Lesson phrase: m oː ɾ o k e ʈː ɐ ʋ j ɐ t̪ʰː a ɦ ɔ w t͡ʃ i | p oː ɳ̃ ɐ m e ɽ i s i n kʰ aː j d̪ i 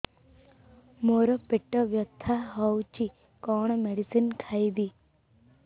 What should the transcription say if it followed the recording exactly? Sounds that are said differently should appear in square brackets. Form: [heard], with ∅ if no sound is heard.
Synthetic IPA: m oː ɾ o [p] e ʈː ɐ ʋ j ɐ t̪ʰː a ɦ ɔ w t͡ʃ i | [k] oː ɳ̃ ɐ m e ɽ i s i n kʰ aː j d̪ i

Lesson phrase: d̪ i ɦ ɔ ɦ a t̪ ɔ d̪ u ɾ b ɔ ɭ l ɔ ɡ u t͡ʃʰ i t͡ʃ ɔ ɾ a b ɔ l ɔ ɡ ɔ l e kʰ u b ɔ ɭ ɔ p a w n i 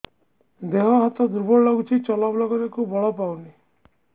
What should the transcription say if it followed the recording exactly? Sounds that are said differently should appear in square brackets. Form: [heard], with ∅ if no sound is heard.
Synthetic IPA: d̪ [e] ɦ ɔ ɦ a t̪ ɔ d̪ u ɾ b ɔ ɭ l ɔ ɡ u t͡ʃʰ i t͡ʃ ɔ [l] a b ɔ l ɔ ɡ ɔ [ɾ] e [k] u b ɔ ɭ ɔ p a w n i

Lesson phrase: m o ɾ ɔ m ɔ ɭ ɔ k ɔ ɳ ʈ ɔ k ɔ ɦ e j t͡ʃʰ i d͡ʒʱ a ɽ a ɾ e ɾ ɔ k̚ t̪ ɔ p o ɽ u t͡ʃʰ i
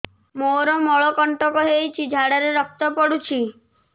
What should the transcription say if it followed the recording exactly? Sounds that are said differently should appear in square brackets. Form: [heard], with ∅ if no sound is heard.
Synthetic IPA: m o ɾ ɔ m ɔ ɭ ɔ k ɔ ɳ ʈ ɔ k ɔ ɦ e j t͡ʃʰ i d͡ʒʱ a ɽ a ɾ e ɾ ɔ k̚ t̪ ɔ p [ɔ] ɽ u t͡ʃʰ i

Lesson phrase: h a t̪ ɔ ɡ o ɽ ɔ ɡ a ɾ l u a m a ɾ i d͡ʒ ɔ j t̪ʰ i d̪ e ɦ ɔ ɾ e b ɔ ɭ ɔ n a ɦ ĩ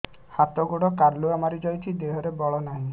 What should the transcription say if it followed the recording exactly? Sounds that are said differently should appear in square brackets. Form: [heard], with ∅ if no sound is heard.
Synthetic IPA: h a t̪ ɔ ɡ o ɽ ɔ [k] a ɾ l u a m a ɾ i d͡ʒ ɔ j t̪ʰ i d̪ e ɦ ɔ ɾ e b ɔ ɭ ɔ n a ɦ ĩ

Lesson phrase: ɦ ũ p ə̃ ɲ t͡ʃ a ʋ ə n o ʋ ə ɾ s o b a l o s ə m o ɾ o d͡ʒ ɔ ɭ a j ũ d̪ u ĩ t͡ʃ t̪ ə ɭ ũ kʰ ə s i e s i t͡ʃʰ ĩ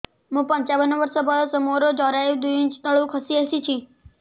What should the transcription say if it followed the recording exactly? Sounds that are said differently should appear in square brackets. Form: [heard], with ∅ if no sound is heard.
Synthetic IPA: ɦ ũ p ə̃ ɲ t͡ʃ a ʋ ə n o ʋ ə ɾ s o b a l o s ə m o ɾ o d͡ʒ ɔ [ɾ] a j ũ d̪ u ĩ t͡ʃ t̪ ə ɭ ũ kʰ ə s i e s i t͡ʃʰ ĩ

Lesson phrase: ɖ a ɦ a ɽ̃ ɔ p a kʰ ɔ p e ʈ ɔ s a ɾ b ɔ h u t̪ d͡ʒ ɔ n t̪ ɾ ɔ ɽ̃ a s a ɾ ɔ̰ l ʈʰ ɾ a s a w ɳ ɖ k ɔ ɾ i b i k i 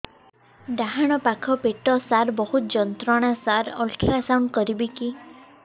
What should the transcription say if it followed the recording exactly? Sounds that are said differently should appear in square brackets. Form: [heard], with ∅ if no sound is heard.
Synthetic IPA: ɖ a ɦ a ɽ̃ ɔ p a kʰ ɔ p e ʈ ɔ s a ɾ b ɔ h u t̪ d͡ʒ ɔ n t̪ ɾ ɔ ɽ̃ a s a ɾ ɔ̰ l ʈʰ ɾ a s a w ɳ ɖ k ɔ ɾ i b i k i

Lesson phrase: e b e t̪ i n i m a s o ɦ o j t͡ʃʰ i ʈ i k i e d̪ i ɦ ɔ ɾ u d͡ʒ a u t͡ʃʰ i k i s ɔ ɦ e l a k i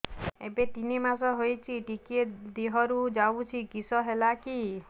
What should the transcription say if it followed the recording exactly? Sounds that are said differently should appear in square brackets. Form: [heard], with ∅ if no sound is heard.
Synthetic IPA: e b e t̪ i n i m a s [ɔ] ɦ o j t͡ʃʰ i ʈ i k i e d̪ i ɦ ɔ ɾ u d͡ʒ a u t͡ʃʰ i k i s ɔ ɦ e l a k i

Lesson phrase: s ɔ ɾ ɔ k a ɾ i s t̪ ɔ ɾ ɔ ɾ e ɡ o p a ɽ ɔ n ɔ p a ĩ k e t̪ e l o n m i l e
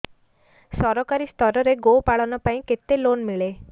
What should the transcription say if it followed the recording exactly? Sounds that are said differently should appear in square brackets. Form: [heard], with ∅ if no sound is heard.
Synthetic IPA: s ɔ ɾ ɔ k a ɾ i s t̪ ɔ ɾ ɔ ɾ e ɡ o p a [ɭ] ɔ n ɔ p a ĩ k e t̪ e l o n m i [ɭ] e

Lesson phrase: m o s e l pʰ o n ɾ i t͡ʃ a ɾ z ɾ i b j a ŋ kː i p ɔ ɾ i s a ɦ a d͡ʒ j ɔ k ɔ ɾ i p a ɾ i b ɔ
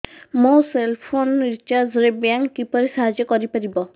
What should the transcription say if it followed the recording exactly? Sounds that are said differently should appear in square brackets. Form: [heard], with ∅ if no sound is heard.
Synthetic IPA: m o s e l pʰ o n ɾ i t͡ʃ a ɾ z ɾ [e] b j a ŋ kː i p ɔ ɾ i s a ɦ a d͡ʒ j ɔ k ɔ ɾ i p a ɾ i b ɔ

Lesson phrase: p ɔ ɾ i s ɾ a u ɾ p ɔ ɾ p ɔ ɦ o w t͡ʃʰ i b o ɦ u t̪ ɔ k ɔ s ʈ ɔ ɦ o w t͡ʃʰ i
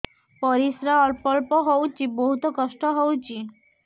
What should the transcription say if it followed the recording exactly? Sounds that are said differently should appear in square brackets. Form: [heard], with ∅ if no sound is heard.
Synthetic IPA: p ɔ ɾ i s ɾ a [ɔ] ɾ p ɔ [l] p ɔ ɦ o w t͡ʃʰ i b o ɦ u t̪ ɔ k ɔ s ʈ ɔ ɦ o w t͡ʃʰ i

